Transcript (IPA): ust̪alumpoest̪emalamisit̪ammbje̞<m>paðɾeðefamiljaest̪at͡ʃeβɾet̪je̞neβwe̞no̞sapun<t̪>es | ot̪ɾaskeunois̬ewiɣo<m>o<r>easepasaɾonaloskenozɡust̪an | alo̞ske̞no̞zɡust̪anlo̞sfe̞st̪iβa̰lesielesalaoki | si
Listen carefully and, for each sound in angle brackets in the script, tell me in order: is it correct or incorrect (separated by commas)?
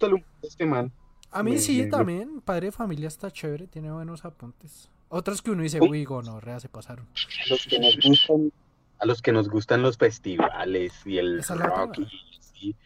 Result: incorrect, correct, incorrect, correct